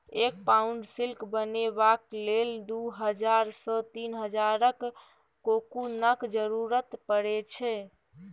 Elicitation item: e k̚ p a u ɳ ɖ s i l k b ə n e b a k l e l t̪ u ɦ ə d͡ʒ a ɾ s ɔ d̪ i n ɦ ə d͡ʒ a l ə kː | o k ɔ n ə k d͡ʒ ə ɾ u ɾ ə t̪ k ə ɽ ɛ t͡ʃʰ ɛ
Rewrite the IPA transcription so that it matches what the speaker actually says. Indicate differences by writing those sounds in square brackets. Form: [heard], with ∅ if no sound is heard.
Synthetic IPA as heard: e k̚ p a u ɳ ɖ s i l k b ə n e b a k l e l [d̪] u ɦ ə d͡ʒ a ɾ s ɔ [t̪] i n ɦ ə d͡ʒ a [ɾ] ə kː | o k [u] n ə k d͡ʒ ə ɾ u ɾ ə t̪ [p] ə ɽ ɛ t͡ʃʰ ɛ

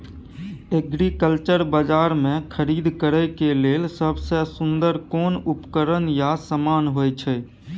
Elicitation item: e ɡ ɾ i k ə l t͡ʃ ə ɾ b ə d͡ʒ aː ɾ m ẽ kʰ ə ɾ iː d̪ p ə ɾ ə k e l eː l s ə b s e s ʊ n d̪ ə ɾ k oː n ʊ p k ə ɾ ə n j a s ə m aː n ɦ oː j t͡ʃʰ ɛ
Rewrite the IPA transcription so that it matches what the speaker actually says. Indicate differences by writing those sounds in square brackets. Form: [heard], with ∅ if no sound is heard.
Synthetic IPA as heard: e ɡ ɾ i k ə l t͡ʃ ə ɾ b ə d͡ʒ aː ɾ m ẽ kʰ ə ɾ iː d̪ [k] ə ɾ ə k e l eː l s ə b s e s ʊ n d̪ ə ɾ k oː n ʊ p k ə ɾ ə n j a s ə m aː n ɦ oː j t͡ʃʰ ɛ

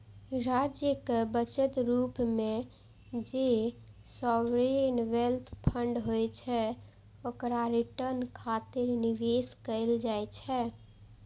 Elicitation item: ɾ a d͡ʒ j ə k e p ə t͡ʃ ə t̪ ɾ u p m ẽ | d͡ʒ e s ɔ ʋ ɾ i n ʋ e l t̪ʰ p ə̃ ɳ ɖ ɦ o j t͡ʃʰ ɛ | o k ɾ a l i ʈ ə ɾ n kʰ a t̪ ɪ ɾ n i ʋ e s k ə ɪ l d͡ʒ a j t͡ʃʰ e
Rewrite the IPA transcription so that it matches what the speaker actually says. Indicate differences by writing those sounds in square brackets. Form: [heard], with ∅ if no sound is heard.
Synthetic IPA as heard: ɾ a d͡ʒ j ə k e [b] ə t͡ʃ ə t̪ ɾ u p m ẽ | d͡ʒ e s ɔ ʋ ɾ [e] n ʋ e l t̪ʰ [pʰ] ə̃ ɳ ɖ ɦ o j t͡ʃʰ ɛ | o k ɾ a [ɾ] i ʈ ə ɾ n kʰ a t̪ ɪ ɾ n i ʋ e s k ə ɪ l d͡ʒ a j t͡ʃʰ [ɛ]

